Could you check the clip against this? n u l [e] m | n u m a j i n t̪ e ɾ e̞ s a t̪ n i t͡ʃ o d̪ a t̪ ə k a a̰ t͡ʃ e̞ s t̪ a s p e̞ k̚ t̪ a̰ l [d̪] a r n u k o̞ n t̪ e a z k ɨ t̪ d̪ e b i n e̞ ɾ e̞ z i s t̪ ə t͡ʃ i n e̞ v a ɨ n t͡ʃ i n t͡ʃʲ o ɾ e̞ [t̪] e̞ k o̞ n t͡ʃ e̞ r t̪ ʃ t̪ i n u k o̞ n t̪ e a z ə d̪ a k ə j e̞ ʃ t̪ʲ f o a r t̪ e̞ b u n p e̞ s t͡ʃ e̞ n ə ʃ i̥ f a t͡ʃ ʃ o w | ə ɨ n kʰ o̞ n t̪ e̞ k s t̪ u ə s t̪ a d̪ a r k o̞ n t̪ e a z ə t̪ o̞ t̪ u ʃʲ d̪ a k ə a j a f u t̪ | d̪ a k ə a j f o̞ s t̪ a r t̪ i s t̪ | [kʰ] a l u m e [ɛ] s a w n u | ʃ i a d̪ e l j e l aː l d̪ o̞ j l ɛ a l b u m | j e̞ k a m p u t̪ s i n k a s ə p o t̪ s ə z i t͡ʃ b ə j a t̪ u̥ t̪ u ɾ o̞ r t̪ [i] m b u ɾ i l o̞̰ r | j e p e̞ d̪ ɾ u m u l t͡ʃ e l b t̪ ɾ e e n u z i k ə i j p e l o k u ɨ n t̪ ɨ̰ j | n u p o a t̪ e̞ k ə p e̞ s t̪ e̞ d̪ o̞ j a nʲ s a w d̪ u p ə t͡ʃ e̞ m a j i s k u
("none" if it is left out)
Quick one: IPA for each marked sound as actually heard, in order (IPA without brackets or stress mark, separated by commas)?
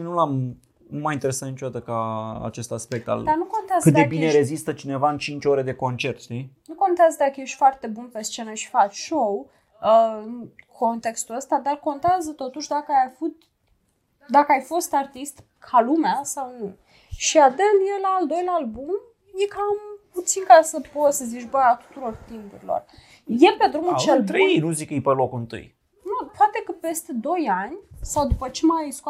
a, d̪, d̪, kʰ, a, i